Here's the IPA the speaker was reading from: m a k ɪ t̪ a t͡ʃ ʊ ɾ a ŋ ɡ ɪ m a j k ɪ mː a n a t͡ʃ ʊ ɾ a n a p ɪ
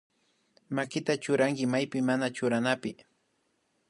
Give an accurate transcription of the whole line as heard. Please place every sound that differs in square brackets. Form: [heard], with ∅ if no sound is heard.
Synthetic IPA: m a k ɪ t̪ a t͡ʃ ʊ ɾ a ŋ [k] ɪ m a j [p] ɪ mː a n a t͡ʃ ʊ ɾ a n a p ɪ